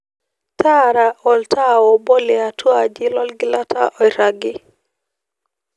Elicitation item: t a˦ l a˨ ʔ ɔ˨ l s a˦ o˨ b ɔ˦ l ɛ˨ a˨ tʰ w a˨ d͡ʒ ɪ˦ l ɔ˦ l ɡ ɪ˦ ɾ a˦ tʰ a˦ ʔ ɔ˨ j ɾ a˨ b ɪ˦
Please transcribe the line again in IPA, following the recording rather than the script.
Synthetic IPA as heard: t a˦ ɾ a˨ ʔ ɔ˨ l t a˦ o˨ b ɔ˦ l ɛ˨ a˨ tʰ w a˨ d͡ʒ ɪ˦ l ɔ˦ l ɡ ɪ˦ l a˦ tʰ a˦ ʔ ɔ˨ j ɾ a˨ ɡ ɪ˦